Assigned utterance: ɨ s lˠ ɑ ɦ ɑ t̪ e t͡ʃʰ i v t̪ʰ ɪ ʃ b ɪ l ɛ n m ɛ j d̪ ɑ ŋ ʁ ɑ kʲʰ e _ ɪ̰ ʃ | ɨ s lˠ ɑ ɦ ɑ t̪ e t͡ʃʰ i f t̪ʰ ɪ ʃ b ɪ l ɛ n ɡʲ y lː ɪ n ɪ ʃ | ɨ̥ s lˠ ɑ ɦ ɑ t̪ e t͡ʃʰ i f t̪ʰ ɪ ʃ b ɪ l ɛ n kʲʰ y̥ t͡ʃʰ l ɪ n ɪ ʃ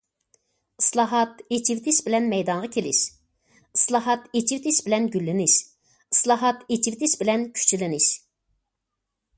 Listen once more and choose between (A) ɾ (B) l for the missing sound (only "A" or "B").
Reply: B